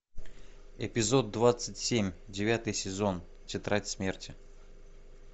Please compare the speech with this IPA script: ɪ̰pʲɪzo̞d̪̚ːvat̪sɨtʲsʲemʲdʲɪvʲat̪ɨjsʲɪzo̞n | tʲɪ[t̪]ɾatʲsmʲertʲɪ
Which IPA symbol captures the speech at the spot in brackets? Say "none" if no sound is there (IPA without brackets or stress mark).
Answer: t̪